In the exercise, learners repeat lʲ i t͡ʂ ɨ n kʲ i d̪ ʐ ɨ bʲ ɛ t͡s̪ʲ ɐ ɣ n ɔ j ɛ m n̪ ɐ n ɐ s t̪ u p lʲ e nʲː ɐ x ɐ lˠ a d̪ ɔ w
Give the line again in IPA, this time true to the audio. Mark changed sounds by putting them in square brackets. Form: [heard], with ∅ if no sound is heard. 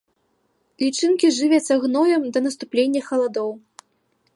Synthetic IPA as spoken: lʲ i t͡ʂ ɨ n kʲ i [∅] ʐ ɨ [vʲ] ɛ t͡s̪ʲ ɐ ɣ n ɔ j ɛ m [d̪] ɐ n ɐ s t̪ u p lʲ e nʲː ɐ x ɐ lˠ a d̪ ɔ w